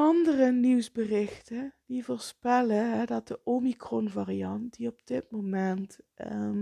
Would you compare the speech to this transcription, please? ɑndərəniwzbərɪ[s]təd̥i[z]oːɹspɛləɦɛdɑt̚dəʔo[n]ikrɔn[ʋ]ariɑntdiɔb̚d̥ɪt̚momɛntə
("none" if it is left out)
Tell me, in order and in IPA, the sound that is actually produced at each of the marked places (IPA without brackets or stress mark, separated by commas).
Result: x, v, m, v